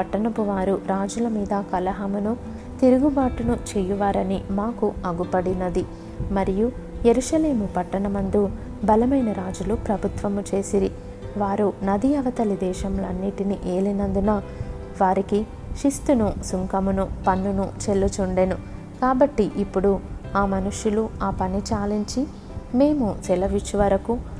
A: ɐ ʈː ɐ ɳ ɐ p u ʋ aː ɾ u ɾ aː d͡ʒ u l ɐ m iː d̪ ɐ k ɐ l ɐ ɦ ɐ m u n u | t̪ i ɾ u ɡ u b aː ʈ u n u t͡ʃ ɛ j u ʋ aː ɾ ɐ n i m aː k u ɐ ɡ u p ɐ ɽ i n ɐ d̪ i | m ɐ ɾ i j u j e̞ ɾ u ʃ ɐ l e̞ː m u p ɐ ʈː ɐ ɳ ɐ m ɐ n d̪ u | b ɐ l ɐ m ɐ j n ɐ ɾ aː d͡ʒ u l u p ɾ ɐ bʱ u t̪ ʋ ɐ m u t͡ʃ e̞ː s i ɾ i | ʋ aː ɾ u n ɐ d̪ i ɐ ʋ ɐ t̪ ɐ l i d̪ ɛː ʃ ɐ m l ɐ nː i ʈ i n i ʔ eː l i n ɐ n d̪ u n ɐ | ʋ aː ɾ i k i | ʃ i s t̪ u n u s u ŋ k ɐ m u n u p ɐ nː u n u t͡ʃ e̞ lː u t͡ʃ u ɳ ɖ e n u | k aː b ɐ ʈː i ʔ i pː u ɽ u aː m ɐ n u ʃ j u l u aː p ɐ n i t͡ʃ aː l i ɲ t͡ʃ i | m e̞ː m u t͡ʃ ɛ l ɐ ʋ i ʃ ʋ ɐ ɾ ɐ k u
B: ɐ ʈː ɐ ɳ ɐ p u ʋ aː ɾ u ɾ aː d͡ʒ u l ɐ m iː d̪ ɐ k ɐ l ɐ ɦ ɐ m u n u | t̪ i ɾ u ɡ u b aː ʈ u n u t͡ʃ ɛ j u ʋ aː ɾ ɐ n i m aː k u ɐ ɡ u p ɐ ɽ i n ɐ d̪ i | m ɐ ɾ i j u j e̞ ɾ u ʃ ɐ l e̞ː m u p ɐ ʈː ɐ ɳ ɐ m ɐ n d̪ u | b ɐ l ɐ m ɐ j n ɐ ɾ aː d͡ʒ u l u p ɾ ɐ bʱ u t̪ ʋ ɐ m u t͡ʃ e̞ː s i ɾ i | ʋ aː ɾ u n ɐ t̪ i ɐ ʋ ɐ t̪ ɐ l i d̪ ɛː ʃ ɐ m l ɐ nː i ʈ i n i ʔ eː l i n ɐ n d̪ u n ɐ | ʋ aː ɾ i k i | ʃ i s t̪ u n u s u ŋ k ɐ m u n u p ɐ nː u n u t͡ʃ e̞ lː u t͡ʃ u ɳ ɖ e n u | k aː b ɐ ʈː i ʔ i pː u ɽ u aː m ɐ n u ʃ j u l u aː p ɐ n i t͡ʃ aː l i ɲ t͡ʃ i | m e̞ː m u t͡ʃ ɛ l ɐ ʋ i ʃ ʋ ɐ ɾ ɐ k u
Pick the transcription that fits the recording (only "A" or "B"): A